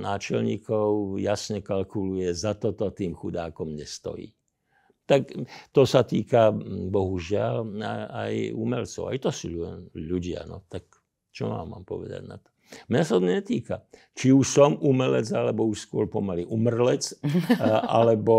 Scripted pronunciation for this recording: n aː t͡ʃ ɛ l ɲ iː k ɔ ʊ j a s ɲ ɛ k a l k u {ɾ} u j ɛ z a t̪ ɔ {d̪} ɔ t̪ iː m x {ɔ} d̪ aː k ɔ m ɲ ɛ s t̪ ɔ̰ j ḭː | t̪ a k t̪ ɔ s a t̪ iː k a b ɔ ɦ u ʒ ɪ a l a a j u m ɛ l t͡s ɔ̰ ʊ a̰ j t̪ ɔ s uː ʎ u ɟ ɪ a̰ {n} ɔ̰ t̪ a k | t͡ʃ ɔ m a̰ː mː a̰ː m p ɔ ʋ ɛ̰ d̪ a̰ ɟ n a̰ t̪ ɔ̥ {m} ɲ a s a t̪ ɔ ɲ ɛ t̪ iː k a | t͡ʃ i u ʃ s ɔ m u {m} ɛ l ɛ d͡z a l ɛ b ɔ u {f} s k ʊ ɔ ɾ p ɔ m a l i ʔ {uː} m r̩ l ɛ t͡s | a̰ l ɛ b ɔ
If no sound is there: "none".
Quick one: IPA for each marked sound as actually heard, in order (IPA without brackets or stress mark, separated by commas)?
l, t̪, u, n, m, m, ʃ, u